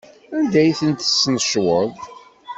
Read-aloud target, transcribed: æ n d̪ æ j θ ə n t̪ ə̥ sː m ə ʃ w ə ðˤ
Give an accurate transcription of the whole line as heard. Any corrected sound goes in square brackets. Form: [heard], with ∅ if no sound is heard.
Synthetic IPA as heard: æ n d̪ æ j θ ə n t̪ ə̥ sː [n] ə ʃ w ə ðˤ